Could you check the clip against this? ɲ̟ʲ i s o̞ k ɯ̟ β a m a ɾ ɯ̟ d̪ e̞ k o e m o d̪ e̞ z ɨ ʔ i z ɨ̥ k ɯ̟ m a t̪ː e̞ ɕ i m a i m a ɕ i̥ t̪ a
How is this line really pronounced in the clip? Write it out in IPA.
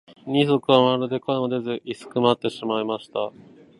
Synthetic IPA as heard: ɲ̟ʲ i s o̞ k ɯ̟ β a m a ɾ ɯ̟ d̪ e̞ k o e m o d̪ e̞ z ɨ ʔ i s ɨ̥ k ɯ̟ m a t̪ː e̞ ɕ i m a i m a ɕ i̥ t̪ a